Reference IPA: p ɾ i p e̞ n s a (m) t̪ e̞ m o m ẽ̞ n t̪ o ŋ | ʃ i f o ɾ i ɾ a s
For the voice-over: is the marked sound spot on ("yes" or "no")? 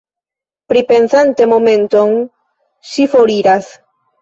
no